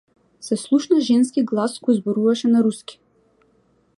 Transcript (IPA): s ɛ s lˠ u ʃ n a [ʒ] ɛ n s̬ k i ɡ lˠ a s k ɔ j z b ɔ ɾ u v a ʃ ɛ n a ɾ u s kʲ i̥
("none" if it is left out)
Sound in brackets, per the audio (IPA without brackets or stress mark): ʒ